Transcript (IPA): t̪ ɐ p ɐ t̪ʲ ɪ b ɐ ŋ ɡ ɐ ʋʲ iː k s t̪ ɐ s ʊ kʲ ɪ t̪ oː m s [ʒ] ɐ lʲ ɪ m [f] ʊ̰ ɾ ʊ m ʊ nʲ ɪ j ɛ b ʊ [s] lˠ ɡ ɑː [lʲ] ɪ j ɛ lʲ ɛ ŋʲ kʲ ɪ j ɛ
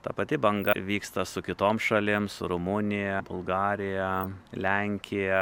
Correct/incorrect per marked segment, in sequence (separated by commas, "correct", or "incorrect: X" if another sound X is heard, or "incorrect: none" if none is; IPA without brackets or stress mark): incorrect: ʃ, incorrect: s, incorrect: none, incorrect: ɾʲ